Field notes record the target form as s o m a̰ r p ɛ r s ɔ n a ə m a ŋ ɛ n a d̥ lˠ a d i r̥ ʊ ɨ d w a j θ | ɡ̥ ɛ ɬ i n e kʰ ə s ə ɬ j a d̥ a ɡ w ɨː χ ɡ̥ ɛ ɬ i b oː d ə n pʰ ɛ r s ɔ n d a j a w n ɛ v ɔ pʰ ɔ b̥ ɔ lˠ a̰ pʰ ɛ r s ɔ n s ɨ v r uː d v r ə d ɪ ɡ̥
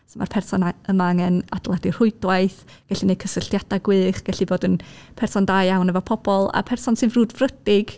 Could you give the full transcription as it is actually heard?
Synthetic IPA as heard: s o m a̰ r pʰ ɛ r s ɔ n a ə m a ŋ ɛ n a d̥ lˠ a d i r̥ ʊ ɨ d w a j θ | ɡ̥ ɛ ɬ i n e kʰ ə s ə ɬ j a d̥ a ɡ w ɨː χ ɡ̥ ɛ ɬ i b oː d ə n pʰ ɛ r s ɔ n d a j a w n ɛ v ɔ pʰ ɔ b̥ ɔ lˠ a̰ pʰ ɛ r s ɔ n s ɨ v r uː d v r ə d ɪ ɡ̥